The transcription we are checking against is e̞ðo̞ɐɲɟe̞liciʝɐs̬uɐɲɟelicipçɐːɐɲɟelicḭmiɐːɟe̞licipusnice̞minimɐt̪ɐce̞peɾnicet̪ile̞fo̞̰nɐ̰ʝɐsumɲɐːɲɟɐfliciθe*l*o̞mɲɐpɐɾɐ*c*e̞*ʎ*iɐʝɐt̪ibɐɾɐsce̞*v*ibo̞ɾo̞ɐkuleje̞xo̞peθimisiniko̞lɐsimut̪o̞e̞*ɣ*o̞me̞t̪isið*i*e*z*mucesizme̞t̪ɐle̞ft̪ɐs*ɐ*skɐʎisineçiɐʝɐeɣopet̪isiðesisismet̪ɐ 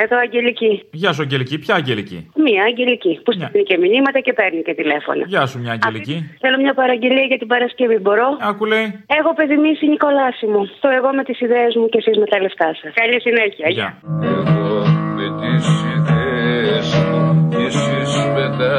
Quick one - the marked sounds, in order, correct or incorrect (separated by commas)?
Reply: correct, incorrect, incorrect, correct, correct, incorrect, correct, correct